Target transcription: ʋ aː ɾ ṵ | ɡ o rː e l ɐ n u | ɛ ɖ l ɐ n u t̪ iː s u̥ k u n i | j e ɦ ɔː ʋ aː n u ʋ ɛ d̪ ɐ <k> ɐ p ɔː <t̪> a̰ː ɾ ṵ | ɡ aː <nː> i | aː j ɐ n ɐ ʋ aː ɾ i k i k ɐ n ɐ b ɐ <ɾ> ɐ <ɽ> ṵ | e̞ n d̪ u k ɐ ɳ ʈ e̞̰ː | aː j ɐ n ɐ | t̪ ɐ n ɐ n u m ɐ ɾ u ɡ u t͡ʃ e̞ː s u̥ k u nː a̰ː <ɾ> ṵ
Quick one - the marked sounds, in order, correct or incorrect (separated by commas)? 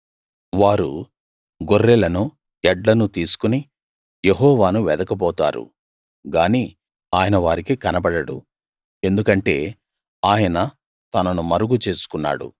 correct, correct, incorrect, incorrect, correct, incorrect